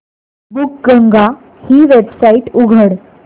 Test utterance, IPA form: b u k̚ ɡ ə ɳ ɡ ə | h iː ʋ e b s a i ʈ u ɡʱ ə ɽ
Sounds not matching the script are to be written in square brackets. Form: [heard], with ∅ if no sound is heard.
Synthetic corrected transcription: b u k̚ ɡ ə [ŋ] ɡ [a] | h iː ʋ e b s a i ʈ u ɡʱ ə ɽ